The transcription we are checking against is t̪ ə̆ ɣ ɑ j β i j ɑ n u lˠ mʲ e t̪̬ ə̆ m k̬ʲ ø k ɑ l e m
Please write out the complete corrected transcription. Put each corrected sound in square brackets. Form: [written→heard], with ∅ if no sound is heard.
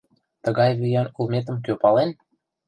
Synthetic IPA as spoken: t̪ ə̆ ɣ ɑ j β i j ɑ n u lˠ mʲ e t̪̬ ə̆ m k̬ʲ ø [k→p] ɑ l e [m→n]

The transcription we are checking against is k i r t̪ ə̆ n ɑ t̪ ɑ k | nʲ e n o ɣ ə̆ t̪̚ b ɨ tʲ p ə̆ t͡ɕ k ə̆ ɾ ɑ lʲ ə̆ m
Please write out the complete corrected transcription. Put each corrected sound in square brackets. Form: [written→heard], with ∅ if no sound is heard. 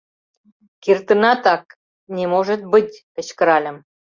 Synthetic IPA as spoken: k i r t̪ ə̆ n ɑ t̪ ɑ k | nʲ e [n→m] o [ɣ→ʒ] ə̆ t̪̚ b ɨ tʲ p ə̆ t͡ɕ k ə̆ ɾ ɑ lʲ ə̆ m

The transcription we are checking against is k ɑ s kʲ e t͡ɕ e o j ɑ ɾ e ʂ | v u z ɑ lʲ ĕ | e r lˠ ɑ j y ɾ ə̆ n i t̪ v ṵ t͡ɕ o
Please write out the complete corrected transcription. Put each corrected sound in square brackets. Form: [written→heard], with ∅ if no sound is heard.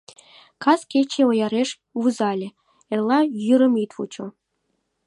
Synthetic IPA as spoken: k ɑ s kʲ e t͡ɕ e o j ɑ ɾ e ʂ | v u z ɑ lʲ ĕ | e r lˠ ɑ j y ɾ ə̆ [n→m] i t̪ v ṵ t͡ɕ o

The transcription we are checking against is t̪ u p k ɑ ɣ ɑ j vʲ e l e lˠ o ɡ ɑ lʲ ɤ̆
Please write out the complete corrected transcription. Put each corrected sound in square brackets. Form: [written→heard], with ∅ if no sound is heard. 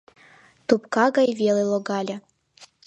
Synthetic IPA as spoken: t̪ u p k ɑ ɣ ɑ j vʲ e l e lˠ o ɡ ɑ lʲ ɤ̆

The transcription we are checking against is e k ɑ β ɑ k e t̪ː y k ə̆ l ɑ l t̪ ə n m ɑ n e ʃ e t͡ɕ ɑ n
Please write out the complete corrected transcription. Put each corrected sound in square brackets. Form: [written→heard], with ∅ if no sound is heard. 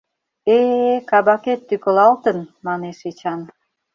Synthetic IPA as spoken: e k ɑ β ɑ k e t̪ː y k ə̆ l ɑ l t̪ ə n m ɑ n e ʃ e t͡ɕ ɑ n

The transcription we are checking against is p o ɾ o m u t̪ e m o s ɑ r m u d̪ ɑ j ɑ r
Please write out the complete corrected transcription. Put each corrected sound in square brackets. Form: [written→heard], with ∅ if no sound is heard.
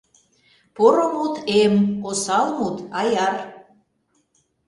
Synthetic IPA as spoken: p o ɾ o m u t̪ e m o s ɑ [r→l] m u [d̪→t̪] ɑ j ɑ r

